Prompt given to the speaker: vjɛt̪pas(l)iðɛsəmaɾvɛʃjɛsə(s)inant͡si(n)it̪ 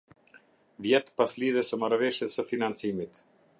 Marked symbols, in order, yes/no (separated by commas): yes, no, no